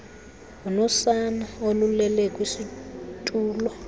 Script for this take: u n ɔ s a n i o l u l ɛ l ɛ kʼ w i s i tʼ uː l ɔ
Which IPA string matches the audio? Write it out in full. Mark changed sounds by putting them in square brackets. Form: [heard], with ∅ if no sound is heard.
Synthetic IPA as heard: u n ɔ s a n [a] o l u l ɛ l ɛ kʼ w i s i tʼ uː l ɔ